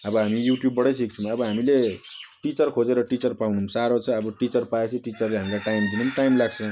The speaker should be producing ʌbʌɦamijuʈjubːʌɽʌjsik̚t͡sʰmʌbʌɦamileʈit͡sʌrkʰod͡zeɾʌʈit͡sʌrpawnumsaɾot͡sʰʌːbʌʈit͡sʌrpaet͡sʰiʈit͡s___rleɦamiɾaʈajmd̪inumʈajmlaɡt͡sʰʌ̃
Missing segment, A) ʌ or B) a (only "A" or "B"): A